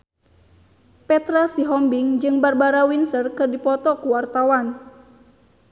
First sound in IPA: p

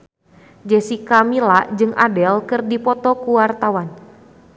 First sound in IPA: d͡ʒ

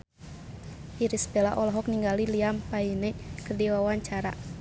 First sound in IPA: i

